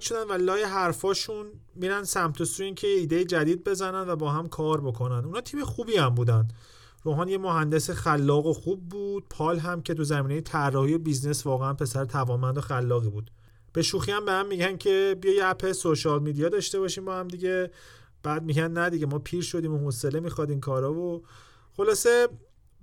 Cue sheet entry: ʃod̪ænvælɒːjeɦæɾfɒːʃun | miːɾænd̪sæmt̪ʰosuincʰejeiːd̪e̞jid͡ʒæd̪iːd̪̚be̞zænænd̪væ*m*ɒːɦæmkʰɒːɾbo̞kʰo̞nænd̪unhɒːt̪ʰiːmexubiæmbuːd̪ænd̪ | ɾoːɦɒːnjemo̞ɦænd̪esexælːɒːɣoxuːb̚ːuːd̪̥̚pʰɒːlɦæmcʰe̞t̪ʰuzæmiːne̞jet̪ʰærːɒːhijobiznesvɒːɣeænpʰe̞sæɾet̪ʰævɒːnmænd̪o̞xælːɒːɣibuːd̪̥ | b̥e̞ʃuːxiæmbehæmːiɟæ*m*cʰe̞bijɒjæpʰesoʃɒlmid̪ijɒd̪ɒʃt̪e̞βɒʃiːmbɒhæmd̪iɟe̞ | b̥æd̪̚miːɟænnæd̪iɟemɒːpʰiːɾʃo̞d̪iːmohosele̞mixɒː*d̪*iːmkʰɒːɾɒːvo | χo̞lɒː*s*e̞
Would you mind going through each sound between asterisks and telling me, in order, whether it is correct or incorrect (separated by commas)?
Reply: incorrect, incorrect, correct, correct